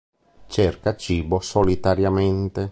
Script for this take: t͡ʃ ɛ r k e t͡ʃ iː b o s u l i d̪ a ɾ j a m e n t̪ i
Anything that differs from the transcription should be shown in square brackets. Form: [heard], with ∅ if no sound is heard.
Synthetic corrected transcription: t͡ʃ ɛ r k [a] t͡ʃ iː b o s [o] l i [t̪] a ɾ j a m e n t̪ [e]

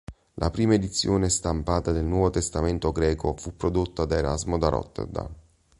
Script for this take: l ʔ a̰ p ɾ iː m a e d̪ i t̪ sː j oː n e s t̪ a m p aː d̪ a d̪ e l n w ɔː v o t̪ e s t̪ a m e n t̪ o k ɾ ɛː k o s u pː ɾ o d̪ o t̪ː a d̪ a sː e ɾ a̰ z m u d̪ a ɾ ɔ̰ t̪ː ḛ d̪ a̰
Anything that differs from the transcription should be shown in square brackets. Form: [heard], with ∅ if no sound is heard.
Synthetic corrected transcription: l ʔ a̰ p ɾ iː m a e d̪ i t̪ sː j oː n e s t̪ a m p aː [t̪] a d̪ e l n w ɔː v o t̪ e s t̪ a m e n t̪ o [ɡ] ɾ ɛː k o [f] u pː ɾ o d̪ o t̪ː a d̪ a [∅] e ɾ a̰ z m [o] d̪ a ɾ ɔ̰ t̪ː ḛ d̪ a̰

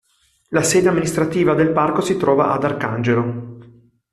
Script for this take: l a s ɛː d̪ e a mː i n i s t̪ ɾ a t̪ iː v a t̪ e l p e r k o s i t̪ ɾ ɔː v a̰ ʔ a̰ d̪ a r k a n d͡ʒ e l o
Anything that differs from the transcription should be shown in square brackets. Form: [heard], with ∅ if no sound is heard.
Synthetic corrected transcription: l a s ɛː d̪ e a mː i n i s t̪ ɾ a t̪ iː v a [d̪] e l p [a] r k o s i t̪ ɾ ɔː v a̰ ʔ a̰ d̪ a r k a n d͡ʒ e l o

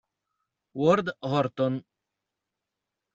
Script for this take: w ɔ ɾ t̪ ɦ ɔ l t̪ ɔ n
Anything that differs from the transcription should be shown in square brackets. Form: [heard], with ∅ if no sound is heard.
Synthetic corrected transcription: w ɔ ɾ [d̪] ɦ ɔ [ɾ] t̪ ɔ n

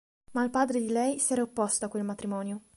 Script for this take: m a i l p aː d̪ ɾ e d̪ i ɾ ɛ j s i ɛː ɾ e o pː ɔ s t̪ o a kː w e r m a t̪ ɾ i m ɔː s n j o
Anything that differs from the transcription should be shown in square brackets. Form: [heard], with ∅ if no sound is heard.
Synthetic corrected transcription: m a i l p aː d̪ ɾ e d̪ i [l] ɛ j s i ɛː ɾ [a] o pː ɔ s t̪ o a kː w e [l] m a t̪ ɾ i m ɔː [∅] n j o

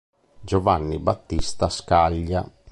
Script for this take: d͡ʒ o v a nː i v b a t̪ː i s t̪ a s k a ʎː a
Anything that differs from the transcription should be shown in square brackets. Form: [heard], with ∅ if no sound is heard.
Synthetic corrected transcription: d͡ʒ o v a nː i [∅] b a t̪ː i s t̪ a s k a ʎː a

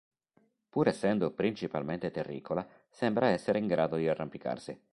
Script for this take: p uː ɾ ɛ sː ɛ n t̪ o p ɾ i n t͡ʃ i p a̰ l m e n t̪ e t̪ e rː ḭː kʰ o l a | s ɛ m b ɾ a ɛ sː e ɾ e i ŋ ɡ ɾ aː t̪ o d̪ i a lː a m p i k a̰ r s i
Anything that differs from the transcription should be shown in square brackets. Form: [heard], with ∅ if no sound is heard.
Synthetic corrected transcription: p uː ɾ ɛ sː ɛ n [d̪] o p ɾ i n t͡ʃ i p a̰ l m e n t̪ e t̪ e rː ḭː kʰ o l a | s ɛ m b ɾ a ɛ sː e ɾ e i ŋ ɡ ɾ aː [d̪] o d̪ i a [rː] a m p i k a̰ r s i

